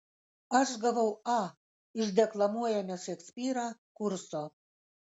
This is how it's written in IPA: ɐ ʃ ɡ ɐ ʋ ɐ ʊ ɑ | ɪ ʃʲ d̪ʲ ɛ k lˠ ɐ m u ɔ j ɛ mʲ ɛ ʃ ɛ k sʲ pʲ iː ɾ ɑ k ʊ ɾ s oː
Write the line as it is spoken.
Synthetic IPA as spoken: ɐ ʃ ɡ ɐ ʋ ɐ ʊ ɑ | ɪ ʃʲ d̪ʲ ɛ k lˠ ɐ m u ɔ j ɛ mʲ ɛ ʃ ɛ k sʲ pʲ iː ɾ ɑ k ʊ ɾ s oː

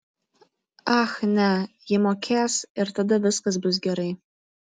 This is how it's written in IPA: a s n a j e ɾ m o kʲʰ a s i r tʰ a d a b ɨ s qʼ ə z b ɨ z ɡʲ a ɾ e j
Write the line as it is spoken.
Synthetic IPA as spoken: a x n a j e m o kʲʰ a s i r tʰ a d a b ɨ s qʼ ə z b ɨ z ɡʲ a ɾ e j

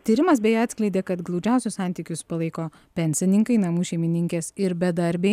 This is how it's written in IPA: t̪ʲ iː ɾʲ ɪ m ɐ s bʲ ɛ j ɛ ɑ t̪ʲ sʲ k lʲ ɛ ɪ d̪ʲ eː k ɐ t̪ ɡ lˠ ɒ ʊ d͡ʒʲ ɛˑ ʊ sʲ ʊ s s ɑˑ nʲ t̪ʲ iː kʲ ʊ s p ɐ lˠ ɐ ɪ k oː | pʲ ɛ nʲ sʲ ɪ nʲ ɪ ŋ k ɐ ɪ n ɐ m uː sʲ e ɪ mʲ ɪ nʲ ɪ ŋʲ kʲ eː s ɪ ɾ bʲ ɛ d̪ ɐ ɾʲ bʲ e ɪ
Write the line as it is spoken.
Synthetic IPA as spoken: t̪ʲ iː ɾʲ ɪ m ɐ s bʲ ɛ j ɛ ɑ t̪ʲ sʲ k lʲ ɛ ɪ d̪ʲ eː k ɐ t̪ ɡ lˠ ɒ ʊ d͡ʒʲ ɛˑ ʊ sʲ ʊ s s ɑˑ nʲ t̪ʲ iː kʲ ʊ s p ɐ lˠ ɐ ɪ k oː | pʲ ɛ nʲ sʲ ɪ nʲ ɪ ŋ k ɐ ɪ n ɐ m uː ʃʲ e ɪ mʲ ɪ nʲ ɪ ŋʲ kʲ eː s ɪ ɾ bʲ ɛ d̪ ɐ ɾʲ bʲ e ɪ

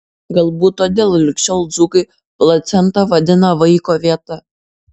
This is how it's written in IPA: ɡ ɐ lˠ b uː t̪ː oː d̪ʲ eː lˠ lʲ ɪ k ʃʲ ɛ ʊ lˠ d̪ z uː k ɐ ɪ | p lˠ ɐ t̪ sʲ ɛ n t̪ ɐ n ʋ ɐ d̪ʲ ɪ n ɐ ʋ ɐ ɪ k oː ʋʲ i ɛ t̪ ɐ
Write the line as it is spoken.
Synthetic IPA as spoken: ɡ ɐ lˠ b uː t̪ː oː d̪ʲ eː lˠ lʲ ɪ k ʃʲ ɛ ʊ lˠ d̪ z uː k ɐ ɪ | p lˠ ɐ t̪ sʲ ɛ n t̪ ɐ ʋ ɐ d̪ʲ ɪ n ɐ ʋ ɐ ɪ k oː ʋʲ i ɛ t̪ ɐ

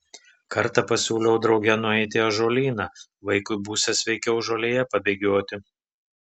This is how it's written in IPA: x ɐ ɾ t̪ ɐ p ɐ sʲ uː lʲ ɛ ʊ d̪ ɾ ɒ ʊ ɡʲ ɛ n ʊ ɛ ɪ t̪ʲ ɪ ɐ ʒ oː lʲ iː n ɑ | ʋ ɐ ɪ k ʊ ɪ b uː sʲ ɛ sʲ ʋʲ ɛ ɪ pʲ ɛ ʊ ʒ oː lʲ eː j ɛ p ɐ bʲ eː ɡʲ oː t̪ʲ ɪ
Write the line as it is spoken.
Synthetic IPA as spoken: k ɐ ɾ t̪ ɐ p ɐ sʲ uː lʲ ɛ ʊ d̪ ɾ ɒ ʊ ɡʲ ɛ n ʊ ɛ ɪ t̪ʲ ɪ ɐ ʒ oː lʲ iː n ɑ | ʋ ɐ ɪ k ʊ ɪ b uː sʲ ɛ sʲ ʋʲ ɛ ɪ kʲ ɛ ʊ ʒ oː lʲ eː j ɛ p ɐ bʲ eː ɡʲ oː t̪ʲ ɪ

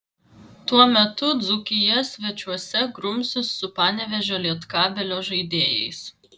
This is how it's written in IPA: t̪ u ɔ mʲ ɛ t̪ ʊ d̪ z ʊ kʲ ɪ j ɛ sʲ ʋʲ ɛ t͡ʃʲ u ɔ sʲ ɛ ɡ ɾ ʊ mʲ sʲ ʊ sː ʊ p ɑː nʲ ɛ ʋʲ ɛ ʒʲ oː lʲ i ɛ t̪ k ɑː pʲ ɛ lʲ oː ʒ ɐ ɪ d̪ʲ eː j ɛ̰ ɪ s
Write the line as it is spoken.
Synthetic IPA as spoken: t̪ u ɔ mʲ ɛ t̪ ʊ d̪ z ʊ kʲ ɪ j ɛ sʲ ʋʲ ɛ t͡ʃʲ u ɔ sʲ ɛ ɡ ɾ ʊ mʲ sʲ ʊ sː ʊ p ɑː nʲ ɛ ʋʲ ɛ ʒʲ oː lʲ i ɛ t̪ k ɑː bʲ ɛ lʲ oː ʒ ɐ ɪ d̪ʲ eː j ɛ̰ ɪ s

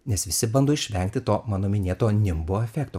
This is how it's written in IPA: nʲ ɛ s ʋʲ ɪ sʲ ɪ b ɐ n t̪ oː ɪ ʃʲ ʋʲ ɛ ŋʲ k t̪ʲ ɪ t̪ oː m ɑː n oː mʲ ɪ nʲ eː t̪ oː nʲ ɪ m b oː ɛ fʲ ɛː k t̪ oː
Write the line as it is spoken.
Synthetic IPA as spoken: nʲ ɛ s ʋʲ ɪ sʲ ɪ b ɐ n d̪ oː ɪ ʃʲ ʋʲ ɛ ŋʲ k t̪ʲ ɪ t̪ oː m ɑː n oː mʲ ɪ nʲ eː t̪ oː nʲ ɪ m b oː ɛ fʲ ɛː k t̪ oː

